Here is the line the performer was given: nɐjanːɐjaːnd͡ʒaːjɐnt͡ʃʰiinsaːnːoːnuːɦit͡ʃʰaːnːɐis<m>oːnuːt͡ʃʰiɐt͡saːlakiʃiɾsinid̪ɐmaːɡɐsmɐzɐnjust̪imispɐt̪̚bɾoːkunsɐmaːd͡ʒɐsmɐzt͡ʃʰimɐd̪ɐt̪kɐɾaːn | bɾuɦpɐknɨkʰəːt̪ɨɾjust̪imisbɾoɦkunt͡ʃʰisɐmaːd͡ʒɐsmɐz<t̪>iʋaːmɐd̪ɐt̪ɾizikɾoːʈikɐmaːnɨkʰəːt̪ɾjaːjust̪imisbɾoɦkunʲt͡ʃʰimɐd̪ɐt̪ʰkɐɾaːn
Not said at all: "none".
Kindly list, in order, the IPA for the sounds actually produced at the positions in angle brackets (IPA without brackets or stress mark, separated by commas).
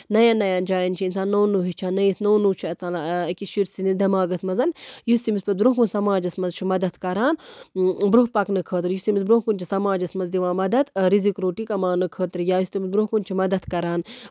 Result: n, d̪